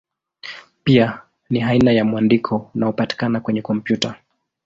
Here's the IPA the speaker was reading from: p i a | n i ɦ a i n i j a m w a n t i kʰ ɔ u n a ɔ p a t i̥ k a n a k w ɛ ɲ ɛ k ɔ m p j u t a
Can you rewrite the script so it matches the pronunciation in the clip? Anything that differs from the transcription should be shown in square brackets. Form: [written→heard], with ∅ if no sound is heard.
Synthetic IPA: p i a | n i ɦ a i n [i→a] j a m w a n [t→d] i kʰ ɔ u n a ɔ p a t i̥ k a n a k w ɛ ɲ ɛ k ɔ m p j u t a